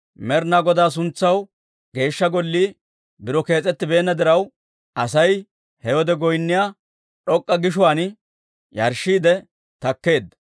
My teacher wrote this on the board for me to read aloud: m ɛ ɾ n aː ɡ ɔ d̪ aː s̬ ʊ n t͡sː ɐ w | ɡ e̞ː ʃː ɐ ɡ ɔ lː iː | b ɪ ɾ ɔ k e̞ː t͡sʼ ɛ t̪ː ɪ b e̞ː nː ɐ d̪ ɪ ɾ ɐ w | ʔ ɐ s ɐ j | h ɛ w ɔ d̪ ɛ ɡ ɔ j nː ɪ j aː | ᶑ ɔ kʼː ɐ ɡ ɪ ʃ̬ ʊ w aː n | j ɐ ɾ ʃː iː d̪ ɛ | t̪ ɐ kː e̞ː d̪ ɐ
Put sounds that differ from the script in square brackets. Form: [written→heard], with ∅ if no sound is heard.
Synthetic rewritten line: m ɛ ɾ n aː ɡ ɔ d̪ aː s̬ ʊ n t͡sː ɐ w | ɡ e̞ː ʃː ɐ ɡ ɔ lː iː | b ɪ ɾ ɔ k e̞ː t͡sʼ ɛ t̪ː ɪ b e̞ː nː ɐ d̪ ɪ ɾ ɐ w | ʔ ɐ s ɐ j | h ɛ w ɔ d̪ ɛ ɡ ɔ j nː ɪ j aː | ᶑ ɔ kʼː ɐ ɡ ɪ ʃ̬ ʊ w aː n | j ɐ ɾ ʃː iː d̪ ɛ | t̪ ɐ kː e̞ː d̪ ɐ

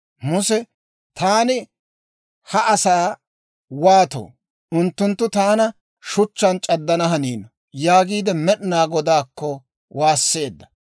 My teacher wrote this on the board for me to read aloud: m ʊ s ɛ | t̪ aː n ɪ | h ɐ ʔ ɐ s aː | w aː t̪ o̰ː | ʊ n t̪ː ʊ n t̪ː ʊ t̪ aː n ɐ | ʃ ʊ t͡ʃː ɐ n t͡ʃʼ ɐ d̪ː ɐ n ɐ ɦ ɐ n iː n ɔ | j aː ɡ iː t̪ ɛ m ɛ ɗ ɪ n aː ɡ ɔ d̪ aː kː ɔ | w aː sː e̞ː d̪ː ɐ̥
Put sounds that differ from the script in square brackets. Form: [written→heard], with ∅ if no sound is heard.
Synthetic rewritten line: m ʊ s ɛ | t̪ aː n ɪ | h ɐ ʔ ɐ s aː | w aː t̪ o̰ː | ʊ n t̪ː ʊ n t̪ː ʊ t̪ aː n ɐ | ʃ ʊ t͡ʃː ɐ n t͡ʃʼ ɐ d̪ː ɐ n ɐ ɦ ɐ n iː n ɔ | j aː ɡ iː [t̪→d̪] ɛ m ɛ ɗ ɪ n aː ɡ ɔ d̪ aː kː ɔ | w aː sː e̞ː d̪ː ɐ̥

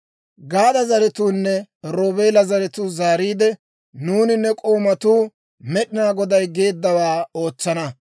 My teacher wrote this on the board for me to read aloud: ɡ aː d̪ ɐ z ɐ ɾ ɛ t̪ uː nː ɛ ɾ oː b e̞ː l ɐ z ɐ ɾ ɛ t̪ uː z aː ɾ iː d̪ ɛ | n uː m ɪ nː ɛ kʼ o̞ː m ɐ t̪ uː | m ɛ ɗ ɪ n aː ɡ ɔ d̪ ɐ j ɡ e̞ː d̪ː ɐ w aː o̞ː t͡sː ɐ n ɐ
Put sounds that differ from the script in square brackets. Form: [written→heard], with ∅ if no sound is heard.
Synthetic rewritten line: ɡ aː d̪ ɐ z ɐ ɾ ɛ t̪ uː nː ɛ ɾ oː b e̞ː l ɐ z ɐ ɾ ɛ t̪ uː z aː ɾ iː d̪ ɛ | n uː [m→n] ɪ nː ɛ kʼ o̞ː m ɐ t̪ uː | m ɛ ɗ ɪ n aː ɡ ɔ d̪ ɐ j ɡ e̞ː d̪ː ɐ w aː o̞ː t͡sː ɐ n ɐ

